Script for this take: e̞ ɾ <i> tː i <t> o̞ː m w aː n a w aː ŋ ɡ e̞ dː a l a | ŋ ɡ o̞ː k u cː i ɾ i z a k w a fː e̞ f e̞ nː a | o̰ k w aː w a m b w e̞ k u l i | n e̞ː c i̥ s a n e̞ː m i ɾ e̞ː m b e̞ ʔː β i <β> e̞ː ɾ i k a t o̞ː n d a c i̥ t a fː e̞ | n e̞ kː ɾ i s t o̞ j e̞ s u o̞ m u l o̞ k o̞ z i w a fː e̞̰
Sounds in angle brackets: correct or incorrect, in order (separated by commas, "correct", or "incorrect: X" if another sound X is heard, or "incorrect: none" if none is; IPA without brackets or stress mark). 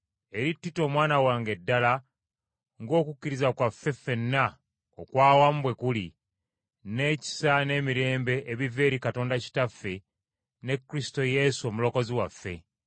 correct, correct, incorrect: v